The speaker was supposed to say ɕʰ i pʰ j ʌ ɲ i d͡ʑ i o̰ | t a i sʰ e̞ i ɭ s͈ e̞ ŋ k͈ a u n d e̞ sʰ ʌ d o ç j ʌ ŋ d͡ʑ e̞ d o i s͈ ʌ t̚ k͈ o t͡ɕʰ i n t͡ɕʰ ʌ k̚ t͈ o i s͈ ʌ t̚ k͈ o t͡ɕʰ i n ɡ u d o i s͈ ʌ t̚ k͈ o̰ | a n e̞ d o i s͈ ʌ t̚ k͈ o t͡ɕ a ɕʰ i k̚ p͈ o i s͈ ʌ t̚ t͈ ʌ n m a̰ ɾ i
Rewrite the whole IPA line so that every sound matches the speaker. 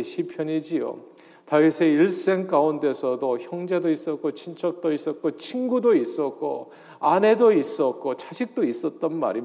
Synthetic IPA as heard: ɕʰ i pʰ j ʌ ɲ i d͡ʑ i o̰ | t a i sʰ e̞ i ɭ s͈ e̞ ŋ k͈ a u n d e̞ sʰ ʌ d o ç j ʌ ŋ d͡ʑ e̞ d o i s͈ ʌ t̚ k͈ o t͡ɕʰ i n t͡ɕʰ ʌ k̚ t͈ o i s͈ ʌ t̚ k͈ o t͡ɕʰ i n ɡ u d o i s͈ ʌ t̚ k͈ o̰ | a n e̞ d o i s͈ ʌ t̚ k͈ o t͡ɕ a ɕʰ i k̚ t͈ o i s͈ ʌ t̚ t͈ ʌ n m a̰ ɾ i